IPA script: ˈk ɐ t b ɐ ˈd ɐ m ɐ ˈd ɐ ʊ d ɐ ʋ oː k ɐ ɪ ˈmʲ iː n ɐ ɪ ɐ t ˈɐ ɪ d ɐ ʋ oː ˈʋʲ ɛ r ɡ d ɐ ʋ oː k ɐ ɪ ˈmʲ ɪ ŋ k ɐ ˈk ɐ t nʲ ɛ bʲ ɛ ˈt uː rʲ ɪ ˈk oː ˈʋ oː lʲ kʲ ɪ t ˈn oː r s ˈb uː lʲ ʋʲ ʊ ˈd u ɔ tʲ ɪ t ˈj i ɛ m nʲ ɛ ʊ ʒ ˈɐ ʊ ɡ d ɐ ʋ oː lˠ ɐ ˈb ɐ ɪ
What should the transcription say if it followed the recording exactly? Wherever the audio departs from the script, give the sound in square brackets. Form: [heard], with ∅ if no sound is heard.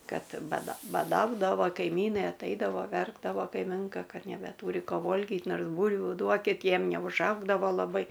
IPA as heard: ˈk ɐ t b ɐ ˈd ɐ [b] ɐ ˈd ɐ ʊ d ɐ ʋ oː k ɐ ɪ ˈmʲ iː n ɐ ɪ ɐ t ˈɐ ɪ d ɐ ʋ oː ˈʋʲ ɛ r ɡ d ɐ ʋ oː k ɐ ɪ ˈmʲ ɪ ŋ k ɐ ˈk ɐ t nʲ ɛ bʲ ɛ ˈt uː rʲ ɪ ˈk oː ˈʋ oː lʲ [ɡʲ] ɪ t ˈn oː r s ˈb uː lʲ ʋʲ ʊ ˈd u ɔ [kʲ] ɪ t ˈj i ɛ m nʲ ɛ ʊ ʒ ˈɐ ʊ ɡ d ɐ ʋ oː lˠ ɐ ˈb ɐ ɪ